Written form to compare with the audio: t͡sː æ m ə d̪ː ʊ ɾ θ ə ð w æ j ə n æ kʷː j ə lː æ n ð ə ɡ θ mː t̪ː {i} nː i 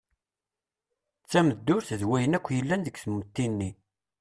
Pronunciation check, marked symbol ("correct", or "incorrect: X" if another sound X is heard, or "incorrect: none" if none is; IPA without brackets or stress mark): correct